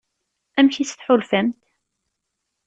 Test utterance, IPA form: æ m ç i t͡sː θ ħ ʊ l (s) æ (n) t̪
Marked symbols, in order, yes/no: no, no

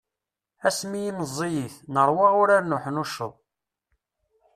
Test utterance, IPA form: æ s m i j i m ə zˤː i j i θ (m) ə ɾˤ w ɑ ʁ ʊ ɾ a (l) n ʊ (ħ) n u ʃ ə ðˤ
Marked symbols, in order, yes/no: no, no, yes

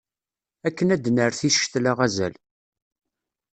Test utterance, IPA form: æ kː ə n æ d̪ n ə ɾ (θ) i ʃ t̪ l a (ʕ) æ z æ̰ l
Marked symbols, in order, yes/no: yes, no

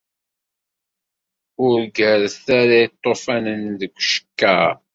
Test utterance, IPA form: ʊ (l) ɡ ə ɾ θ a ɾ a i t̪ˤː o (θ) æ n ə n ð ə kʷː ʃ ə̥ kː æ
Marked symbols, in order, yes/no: no, no

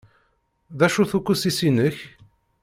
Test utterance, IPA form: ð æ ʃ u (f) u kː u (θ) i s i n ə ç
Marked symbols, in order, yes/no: no, no

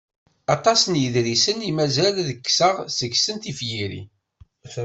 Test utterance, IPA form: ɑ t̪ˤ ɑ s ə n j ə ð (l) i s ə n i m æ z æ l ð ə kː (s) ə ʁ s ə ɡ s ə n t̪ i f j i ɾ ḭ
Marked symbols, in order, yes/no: no, yes

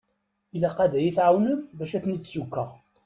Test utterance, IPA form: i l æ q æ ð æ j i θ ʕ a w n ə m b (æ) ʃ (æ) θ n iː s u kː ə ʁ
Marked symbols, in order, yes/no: yes, yes

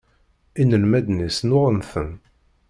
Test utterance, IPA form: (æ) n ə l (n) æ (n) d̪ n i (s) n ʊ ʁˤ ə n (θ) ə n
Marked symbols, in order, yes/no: no, no, no, yes, yes

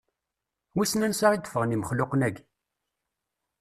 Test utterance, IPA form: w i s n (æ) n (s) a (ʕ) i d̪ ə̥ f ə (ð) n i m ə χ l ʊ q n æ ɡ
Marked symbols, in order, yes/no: yes, yes, no, no

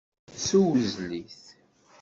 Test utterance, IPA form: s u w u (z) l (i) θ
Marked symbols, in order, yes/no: yes, yes

